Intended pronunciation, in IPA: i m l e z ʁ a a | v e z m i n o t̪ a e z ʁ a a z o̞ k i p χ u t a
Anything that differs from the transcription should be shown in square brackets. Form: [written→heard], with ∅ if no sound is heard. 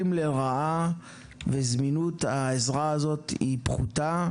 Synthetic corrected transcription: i m l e [z→∅] ʁ a a | v e z m i n [o→u] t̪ a e z ʁ a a z o̞ [k→t] i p χ u t a